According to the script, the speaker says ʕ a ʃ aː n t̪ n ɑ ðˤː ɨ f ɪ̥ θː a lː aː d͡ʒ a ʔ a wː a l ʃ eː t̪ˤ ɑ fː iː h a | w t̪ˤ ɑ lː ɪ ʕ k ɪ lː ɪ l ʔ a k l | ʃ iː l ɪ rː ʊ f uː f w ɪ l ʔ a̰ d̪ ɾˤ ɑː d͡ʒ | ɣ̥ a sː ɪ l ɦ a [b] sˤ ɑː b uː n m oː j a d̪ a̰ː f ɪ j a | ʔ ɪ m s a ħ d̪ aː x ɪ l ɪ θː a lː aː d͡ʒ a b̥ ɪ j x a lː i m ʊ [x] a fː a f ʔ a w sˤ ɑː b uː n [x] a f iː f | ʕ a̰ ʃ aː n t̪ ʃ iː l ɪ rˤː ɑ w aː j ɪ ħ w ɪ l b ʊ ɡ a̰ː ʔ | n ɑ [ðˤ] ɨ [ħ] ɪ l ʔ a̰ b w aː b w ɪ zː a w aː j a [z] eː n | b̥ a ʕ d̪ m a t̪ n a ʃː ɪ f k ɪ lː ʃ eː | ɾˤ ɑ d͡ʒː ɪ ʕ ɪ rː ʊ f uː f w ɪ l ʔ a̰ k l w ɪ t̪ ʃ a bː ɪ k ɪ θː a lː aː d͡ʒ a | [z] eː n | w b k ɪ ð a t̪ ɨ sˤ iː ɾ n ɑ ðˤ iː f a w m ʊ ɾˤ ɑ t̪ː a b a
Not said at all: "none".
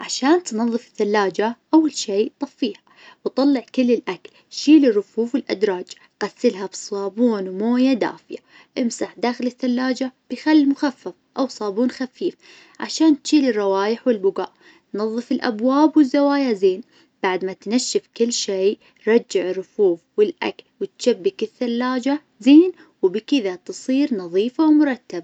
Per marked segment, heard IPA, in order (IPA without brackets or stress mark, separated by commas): b, x, x, ðˤː, f, z, z